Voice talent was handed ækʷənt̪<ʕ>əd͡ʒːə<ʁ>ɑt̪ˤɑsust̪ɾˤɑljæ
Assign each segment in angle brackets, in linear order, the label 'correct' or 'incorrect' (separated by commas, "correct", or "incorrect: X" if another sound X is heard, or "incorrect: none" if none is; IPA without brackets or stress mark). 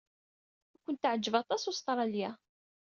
correct, incorrect: v